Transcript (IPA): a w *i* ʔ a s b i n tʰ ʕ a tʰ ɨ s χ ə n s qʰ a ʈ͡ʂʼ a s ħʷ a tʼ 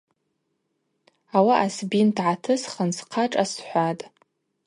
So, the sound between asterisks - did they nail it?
no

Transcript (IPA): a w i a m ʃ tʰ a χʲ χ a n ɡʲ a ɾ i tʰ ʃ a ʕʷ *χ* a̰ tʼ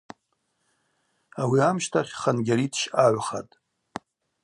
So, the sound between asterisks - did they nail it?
yes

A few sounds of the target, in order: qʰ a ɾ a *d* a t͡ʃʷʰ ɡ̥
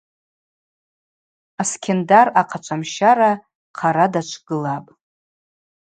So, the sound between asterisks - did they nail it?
yes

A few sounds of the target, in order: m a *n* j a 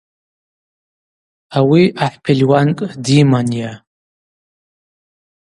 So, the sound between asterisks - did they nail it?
yes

